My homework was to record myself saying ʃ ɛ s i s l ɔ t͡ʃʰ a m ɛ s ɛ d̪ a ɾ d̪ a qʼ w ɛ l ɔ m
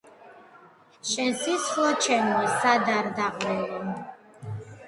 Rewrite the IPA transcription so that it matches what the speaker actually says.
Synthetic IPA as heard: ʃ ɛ s i s l ɔ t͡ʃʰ ɛ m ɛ s a d̪ a ɾ d̪ a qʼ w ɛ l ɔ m

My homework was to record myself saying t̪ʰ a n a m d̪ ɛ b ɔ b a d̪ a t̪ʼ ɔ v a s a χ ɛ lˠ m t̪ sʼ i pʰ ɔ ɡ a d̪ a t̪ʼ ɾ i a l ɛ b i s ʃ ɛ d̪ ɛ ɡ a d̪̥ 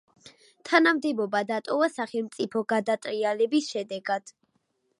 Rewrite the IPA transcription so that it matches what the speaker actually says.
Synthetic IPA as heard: t̪ʰ a n a m d̪ ɛ b ɔ b a d̪ a t̪ʼ ɔ v a s a χ ɛ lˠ m t̪ sʼ i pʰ ɔ ɡ a d̪ a t̪ʼ ɾ i a l ɛ b i s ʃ ɛ d̪ ɛ ɡ a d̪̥

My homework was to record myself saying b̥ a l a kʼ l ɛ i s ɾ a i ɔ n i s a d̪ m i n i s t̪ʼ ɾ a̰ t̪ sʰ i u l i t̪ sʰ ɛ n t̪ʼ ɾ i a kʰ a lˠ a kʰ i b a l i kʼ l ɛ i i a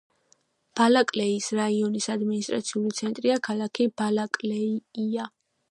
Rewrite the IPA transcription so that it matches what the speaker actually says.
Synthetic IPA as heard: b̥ a l a kʼ l ɛ i s ɾ a i ɔ n i s a d̪ m i n i s t̪ʼ ɾ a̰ t̪ sʰ i u l i t̪ sʰ ɛ n t̪ʼ ɾ i a kʰ a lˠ a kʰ i b a l a kʼ l ɛ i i a

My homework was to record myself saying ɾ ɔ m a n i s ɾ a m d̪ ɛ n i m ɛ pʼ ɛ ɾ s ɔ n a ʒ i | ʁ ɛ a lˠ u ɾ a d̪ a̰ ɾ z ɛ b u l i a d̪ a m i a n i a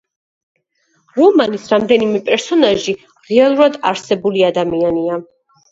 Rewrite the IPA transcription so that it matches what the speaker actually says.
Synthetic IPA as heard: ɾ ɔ m a n i s ɾ a m d̪ ɛ n i m ɛ pʼ ɛ ɾ s ɔ n a ʒ i | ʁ ɛ a lˠ u ɾ a d̪ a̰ ɾ s ɛ b u l i a d̪ a m i a n i a

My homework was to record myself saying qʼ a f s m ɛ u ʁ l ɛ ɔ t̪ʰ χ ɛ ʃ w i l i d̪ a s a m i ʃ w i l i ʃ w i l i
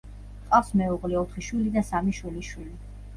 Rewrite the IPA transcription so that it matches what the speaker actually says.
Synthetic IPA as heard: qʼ a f s m ɛ u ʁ l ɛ ɔ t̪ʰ χ i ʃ w i l i d̪ a s a m i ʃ w i l i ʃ w i l i

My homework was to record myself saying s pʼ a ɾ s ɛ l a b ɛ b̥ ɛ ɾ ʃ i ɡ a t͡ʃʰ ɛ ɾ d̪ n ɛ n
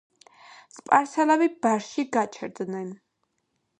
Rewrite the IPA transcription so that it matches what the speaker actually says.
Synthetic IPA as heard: s pʼ a ɾ s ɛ l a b i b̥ a ɾ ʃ i ɡ a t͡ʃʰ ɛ ɾ d̪ n ɛ n

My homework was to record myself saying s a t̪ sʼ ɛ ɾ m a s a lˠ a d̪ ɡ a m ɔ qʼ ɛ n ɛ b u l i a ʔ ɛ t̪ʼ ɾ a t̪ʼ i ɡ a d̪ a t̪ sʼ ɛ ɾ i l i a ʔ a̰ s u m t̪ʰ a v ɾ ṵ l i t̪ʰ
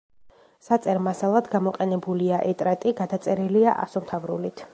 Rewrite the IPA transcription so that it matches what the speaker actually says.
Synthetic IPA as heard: s a t̪ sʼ ɛ ɾ m a s a lˠ a d̪ ɡ a m ɔ qʼ ɛ n ɛ b u l i a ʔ ɛ t̪ʼ ɾ a t̪ʼ i ɡ a d̪ a t̪ sʼ ɛ ɾ i l i a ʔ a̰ s ɔ m t̪ʰ a v ɾ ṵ l i t̪ʰ

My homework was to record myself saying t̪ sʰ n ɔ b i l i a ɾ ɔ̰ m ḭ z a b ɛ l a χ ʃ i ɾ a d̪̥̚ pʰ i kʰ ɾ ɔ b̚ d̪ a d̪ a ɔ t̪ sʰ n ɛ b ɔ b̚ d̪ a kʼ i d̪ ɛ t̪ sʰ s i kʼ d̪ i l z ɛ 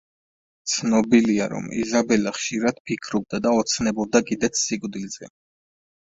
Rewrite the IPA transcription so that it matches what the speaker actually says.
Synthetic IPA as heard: t̪ sʰ n ɔ b i l i a ɾ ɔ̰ m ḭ z a b ɛ l a χ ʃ i ɾ a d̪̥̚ pʰ i kʰ ɾ ɔ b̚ d̪ a d̪ a ɔ t̪ sʰ n ɛ b ɔ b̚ d̪ a kʼ i d̪ ɛ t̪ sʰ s i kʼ d̪ i l z ɛ

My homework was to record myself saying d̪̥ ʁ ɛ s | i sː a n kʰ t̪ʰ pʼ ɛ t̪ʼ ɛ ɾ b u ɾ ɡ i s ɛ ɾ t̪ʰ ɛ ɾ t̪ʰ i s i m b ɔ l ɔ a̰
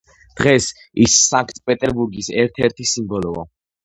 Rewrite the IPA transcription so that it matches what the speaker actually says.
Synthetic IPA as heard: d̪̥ ʁ ɛ s | i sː a ŋ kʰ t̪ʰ pʼ ɛ t̪ʼ ɛ ɾ b u ɾ ɡ i s ɛ ɾ t̪ʰ ɛ ɾ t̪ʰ i s i m b ɔ l ɔ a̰

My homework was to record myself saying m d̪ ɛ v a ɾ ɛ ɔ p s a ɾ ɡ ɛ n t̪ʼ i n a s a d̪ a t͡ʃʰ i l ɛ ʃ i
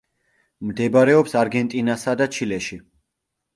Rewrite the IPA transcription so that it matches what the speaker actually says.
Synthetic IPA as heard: m d̪ ɛ b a ɾ ɛ ɔ p s a ɾ ɡ ɛ n t̪ʼ i n a s a d̪ a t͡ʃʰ i l ɛ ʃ i

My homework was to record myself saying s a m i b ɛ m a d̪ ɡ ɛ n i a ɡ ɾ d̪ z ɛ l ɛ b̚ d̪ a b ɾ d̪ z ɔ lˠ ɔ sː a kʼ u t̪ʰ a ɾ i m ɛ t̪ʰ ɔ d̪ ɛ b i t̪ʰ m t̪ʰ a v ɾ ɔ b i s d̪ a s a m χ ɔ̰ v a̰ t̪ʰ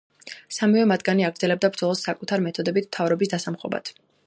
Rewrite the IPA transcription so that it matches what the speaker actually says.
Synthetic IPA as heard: s a m i v ɛ m a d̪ ɡ a n i a ɡ ɾ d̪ z ɛ l ɛ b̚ d̪ a b ɾ d̪ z ɔ lˠ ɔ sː a kʼ u t̪ʰ a ɾ i m ɛ t̪ʰ ɔ d̪ ɛ b i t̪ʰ m t̪ʰ a v ɾ ɔ b i s d̪ a s a m χ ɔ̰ b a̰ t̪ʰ

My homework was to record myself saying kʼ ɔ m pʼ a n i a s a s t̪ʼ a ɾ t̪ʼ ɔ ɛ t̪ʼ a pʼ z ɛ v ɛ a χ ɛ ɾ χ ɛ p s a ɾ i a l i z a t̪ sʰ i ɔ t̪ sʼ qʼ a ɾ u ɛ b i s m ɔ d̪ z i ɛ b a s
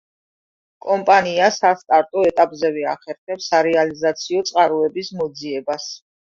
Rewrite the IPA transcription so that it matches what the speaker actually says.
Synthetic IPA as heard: kʼ ɔ m pʼ a n i a s a s t̪ʼ a ɾ t̪ʼ ɔ ɛ t̪ʼ a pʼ z ɛ v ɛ a χ ɛ ɾ χ ɛ p s a ɾ ɛ a l i z a t̪ sʰ i ɔ t̪ sʼ qʼ a ɾ u ɛ b i s m ɔ d̪ z i ɛ b a s

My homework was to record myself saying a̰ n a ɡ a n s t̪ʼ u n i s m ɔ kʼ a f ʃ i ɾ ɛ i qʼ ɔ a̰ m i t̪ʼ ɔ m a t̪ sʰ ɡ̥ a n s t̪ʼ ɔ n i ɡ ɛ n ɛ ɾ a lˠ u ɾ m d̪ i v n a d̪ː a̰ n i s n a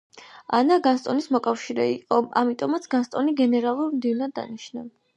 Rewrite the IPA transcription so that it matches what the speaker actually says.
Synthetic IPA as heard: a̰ n a ɡ a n s t̪ʼ ɔ n i s m ɔ kʼ a f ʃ i ɾ ɛ i qʼ ɔ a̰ m i t̪ʼ ɔ m a t̪ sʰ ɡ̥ a n s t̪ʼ ɔ n i ɡ ɛ n ɛ ɾ a lˠ u ɾ m d̪ i v n a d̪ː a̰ n i ʃ n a

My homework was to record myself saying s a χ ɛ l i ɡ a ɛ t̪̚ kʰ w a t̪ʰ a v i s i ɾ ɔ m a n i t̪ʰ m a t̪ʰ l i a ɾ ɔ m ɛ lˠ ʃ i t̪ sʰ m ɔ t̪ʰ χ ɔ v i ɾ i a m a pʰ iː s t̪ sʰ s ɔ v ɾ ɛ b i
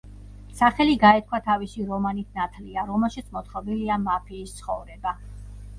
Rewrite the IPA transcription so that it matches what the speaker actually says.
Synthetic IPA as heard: s a χ ɛ l i ɡ a ɛ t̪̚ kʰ w a t̪ʰ a v i s i ɾ ɔ m a n i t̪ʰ n a t̪ʰ l i a ɾ ɔ m ɛ lˠ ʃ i t̪ sʰ m ɔ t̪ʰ χ ɔ b i l i a m a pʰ iː s t̪ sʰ χ ɔ v ɾ ɛ b a

